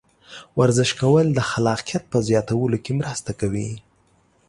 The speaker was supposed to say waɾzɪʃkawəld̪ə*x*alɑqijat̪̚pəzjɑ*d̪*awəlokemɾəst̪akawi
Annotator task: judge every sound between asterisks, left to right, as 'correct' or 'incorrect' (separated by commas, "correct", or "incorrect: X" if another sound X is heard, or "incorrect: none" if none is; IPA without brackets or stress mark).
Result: correct, incorrect: t̪